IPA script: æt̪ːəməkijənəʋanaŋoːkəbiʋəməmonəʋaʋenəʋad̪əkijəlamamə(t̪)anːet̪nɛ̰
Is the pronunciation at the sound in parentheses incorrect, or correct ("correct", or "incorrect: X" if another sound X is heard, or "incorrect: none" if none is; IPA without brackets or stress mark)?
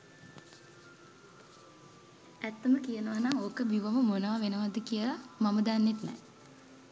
incorrect: d̪